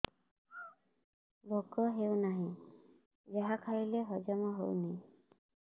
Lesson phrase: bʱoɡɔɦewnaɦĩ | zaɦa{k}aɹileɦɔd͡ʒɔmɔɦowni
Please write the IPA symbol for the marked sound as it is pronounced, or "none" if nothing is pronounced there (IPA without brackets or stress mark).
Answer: kʰ